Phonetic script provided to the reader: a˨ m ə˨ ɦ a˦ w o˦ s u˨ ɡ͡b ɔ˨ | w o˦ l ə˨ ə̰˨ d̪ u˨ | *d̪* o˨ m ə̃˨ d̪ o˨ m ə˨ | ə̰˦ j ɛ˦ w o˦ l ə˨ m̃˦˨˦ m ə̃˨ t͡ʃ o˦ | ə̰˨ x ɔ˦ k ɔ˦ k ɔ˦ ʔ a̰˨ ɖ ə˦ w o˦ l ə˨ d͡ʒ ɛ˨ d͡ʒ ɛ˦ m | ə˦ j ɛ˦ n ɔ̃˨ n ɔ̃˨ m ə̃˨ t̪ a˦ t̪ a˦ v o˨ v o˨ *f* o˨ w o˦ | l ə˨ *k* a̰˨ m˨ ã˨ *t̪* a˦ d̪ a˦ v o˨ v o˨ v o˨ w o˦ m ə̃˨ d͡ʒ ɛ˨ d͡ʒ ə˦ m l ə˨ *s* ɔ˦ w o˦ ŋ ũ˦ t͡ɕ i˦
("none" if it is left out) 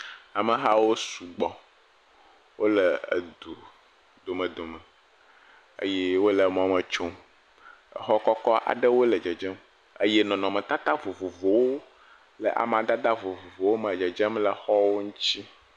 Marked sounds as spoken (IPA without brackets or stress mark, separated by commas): d̪, v, ʔ, d̪, x